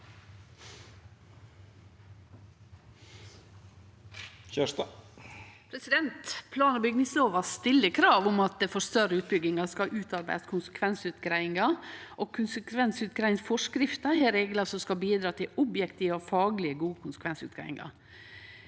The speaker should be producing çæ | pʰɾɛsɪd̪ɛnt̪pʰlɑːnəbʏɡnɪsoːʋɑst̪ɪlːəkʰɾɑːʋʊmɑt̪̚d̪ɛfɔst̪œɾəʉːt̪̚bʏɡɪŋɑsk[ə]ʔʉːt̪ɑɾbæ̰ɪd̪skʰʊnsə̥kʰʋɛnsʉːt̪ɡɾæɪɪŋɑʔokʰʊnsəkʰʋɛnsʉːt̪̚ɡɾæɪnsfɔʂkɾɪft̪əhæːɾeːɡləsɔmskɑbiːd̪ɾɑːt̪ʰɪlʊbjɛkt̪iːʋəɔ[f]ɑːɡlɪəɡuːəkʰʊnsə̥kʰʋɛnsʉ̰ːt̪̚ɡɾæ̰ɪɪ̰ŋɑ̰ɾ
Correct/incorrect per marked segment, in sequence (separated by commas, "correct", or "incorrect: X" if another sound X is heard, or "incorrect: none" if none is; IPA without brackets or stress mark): incorrect: ɑ, correct